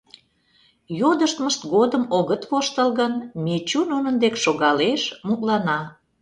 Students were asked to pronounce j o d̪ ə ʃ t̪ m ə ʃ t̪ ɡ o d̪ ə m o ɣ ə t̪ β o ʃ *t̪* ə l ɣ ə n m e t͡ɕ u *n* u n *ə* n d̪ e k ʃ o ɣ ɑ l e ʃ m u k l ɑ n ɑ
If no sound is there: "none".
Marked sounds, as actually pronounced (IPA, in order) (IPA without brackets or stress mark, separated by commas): t̪, n, ə